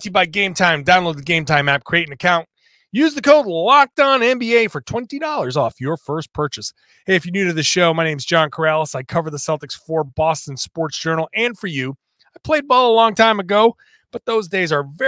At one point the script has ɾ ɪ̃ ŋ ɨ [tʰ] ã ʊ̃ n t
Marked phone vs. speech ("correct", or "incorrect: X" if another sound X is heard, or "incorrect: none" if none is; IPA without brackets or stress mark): incorrect: kʰ